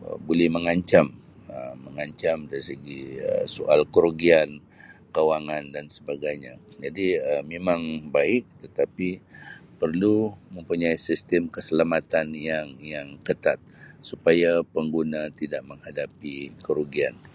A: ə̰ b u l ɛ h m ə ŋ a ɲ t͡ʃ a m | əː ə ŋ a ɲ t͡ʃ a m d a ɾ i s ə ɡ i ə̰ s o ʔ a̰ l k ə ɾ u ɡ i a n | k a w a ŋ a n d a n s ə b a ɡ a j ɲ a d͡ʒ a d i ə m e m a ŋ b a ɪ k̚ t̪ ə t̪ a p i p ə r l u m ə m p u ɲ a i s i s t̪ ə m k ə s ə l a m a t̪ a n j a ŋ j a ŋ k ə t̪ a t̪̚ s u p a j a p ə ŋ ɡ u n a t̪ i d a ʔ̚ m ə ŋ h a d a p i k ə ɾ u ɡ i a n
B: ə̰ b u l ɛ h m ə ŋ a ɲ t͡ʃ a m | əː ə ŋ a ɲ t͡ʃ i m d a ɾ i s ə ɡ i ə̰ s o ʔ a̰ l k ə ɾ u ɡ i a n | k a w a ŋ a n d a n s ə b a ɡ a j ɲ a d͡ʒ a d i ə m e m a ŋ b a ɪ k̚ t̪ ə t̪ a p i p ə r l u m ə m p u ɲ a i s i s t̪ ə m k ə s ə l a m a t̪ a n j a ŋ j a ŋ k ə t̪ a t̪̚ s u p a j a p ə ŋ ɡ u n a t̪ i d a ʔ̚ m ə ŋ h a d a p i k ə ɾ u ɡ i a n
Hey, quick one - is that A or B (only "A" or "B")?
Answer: A